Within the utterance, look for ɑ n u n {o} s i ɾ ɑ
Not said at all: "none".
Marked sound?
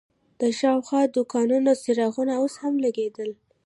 o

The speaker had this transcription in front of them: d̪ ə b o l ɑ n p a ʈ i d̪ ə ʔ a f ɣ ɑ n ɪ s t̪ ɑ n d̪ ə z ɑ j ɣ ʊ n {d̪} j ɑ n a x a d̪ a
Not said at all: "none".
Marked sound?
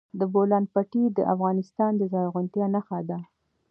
t̪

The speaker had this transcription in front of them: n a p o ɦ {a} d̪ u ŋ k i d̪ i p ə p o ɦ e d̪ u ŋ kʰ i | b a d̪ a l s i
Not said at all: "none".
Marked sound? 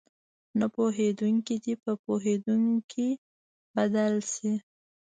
e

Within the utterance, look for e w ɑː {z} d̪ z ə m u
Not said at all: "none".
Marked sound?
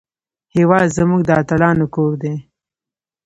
none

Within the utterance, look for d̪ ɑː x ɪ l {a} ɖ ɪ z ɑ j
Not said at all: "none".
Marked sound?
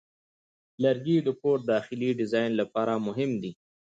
i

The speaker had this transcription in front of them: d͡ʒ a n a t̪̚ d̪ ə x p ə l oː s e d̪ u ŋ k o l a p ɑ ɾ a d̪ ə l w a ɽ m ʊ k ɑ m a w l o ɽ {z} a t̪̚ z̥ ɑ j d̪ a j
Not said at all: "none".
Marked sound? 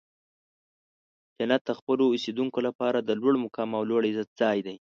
z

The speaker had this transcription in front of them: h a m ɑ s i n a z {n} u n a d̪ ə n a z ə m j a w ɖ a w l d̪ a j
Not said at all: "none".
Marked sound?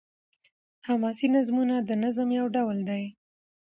m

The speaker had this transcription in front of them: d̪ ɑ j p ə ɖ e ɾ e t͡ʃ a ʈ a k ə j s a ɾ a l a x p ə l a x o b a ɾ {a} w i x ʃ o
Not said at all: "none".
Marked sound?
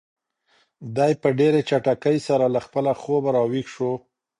ɑ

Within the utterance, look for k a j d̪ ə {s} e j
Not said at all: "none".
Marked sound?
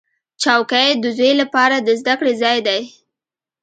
z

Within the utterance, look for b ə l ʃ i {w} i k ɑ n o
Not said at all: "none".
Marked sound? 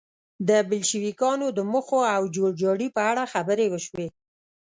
w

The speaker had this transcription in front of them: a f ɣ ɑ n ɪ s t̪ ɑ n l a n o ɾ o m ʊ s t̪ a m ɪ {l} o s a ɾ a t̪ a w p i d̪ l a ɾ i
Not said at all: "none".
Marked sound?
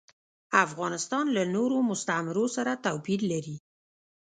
ɾ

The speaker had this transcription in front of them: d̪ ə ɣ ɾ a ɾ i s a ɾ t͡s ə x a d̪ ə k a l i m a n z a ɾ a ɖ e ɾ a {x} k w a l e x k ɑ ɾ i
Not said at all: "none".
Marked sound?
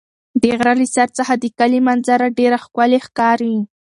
x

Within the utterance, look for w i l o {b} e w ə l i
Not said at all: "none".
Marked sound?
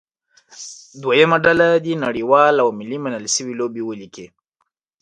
b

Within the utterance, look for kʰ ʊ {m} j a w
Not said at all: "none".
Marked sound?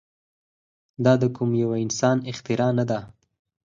m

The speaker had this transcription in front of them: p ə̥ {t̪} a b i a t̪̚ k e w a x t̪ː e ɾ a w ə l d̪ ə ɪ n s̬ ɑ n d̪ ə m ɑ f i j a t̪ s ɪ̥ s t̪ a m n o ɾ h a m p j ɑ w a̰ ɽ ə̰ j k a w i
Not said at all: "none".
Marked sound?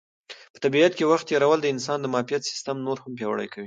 t̪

